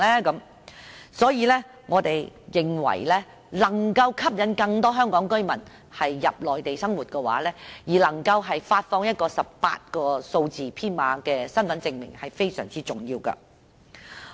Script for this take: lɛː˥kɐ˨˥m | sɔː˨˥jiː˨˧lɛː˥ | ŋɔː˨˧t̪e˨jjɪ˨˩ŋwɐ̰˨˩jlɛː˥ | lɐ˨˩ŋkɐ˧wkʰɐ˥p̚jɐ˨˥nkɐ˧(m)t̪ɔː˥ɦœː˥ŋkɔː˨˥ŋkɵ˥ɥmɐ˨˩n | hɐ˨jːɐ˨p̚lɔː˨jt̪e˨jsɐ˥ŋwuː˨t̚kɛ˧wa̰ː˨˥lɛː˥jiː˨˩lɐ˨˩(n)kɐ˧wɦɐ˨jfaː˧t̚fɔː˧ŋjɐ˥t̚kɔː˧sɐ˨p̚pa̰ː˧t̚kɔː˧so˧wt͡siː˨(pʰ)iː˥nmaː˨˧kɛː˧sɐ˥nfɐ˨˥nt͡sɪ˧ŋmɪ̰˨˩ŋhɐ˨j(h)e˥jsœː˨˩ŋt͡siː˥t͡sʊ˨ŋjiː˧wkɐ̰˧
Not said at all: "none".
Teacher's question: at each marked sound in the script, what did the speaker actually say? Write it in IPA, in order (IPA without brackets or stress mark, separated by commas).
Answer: ŋ, ŋ, pʰ, f